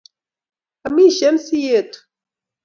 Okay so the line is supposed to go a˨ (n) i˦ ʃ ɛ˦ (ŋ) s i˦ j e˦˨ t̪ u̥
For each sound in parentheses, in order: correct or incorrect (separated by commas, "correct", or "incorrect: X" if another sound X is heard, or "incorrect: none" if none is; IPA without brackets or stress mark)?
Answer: incorrect: m, incorrect: n